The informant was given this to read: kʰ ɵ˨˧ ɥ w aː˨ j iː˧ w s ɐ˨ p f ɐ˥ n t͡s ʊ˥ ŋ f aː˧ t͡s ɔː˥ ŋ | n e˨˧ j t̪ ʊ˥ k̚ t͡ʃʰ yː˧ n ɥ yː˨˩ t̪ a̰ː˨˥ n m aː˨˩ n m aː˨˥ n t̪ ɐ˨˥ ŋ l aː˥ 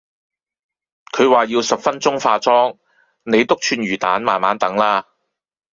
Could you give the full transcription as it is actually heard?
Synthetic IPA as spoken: kʰ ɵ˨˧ ɥ w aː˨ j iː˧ w s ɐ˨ p f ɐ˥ n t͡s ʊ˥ ŋ f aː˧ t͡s ɔː˥ ŋ | n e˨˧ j t̪ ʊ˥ k̚ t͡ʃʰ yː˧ n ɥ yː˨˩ t̪ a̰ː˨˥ n m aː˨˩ n m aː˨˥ n t̪ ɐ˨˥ ŋ l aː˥